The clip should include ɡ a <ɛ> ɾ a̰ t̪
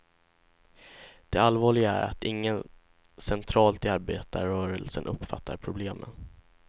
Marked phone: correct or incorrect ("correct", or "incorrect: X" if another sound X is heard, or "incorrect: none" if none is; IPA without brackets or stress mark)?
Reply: incorrect: æ